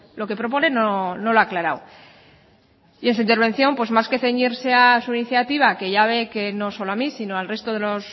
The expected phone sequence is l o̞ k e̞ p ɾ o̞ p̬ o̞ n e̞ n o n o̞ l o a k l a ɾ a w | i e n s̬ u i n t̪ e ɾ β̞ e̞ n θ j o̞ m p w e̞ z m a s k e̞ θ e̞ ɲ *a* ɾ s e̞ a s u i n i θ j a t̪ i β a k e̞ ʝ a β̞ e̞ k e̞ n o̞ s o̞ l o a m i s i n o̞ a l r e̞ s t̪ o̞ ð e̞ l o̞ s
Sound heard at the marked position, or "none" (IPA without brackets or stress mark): i